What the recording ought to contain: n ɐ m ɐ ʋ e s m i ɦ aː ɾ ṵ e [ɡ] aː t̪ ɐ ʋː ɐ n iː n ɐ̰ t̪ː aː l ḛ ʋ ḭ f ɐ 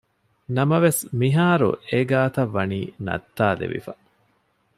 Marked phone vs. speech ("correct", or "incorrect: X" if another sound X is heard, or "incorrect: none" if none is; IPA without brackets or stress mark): correct